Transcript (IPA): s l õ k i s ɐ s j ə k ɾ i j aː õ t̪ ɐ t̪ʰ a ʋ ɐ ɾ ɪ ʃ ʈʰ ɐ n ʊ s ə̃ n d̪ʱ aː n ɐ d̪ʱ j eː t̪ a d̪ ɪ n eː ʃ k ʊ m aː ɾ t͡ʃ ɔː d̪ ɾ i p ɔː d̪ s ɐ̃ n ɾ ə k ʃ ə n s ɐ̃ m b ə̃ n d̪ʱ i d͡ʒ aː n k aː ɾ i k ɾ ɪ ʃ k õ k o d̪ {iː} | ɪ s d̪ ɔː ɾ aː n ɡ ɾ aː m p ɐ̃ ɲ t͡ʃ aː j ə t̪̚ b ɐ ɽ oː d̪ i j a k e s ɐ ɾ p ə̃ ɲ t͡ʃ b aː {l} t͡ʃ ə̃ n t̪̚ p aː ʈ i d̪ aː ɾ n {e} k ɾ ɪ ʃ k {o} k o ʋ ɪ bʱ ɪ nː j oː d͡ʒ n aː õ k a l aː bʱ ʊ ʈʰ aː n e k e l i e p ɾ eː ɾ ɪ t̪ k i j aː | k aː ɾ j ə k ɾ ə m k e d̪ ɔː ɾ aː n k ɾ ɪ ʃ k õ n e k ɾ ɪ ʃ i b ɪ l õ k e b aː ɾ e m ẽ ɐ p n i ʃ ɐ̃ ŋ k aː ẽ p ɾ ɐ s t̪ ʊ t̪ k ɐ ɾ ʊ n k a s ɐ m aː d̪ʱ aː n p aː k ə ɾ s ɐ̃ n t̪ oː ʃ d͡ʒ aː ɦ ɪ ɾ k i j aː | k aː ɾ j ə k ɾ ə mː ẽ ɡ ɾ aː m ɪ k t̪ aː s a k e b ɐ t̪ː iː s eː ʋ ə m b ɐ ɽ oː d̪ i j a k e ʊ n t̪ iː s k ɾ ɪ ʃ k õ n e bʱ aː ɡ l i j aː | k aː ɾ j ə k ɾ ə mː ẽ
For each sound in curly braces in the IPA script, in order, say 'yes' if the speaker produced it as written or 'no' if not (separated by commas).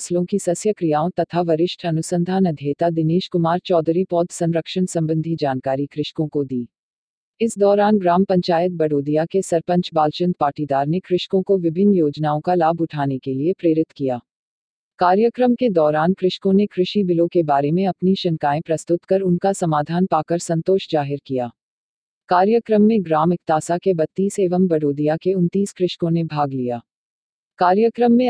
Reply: yes, yes, yes, no